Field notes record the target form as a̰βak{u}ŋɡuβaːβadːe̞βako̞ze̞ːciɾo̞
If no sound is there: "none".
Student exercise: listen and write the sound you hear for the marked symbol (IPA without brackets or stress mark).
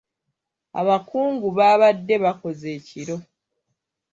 uː